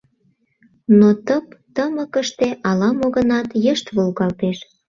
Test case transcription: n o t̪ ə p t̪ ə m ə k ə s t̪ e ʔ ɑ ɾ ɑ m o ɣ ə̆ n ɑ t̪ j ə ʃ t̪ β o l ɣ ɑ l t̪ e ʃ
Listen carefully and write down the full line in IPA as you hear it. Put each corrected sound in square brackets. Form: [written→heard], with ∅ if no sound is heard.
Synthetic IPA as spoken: n o t̪ ə p t̪ ə m ə k ə [s→ʃ] t̪ e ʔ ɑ [ɾ→l] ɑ m o ɣ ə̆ n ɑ t̪ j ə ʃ t̪ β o l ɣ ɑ l t̪ e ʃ